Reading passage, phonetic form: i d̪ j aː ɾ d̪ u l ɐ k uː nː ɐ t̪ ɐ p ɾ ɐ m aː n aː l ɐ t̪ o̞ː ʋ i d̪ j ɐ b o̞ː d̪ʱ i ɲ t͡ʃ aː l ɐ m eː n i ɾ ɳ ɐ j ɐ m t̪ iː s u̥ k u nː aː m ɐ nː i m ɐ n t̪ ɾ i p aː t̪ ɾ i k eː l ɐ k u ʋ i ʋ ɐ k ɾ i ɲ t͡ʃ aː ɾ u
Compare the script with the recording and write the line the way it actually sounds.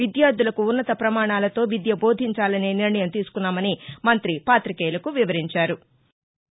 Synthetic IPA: i d̪ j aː ɾ d̪ u l ɐ k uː nː ɐ t̪ ɐ p ɾ ɐ m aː ɳ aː l ɐ t̪ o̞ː ʋ i d̪ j ɐ b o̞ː d̪ʱ i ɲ t͡ʃ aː l ɐ n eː n i ɾ ɳ ɐ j ɐ m t̪ iː s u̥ k u nː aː m ɐ n i m ɐ n t̪ ɾ i p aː t̪ ɾ i k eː l ɐ k u ʋ i ʋ ɐ ɾ i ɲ t͡ʃ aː ɾ u